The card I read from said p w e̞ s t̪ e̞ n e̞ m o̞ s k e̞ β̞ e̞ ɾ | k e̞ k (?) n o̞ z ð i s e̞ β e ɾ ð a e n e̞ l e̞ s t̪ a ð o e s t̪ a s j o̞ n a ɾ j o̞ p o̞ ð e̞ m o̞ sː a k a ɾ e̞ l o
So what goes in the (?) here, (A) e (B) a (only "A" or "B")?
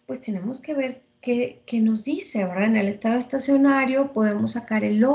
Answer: A